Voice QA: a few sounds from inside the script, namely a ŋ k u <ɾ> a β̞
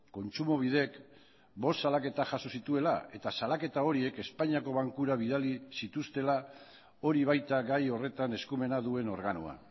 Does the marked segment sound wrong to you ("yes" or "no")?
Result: no